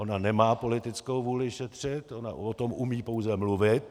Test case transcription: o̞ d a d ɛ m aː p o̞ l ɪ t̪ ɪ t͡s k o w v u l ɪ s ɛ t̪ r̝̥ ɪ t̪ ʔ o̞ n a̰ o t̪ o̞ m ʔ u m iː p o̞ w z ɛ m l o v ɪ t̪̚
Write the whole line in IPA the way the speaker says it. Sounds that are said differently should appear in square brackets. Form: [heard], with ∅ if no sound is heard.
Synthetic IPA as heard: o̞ [n] a [n] ɛ m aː p o̞ l ɪ t̪ ɪ t͡s k o w v [uː] l ɪ [ʃ] ɛ t̪ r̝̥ ɪ t̪ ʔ o̞ n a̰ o t̪ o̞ m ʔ u m iː p o̞ w z ɛ m l [u] v ɪ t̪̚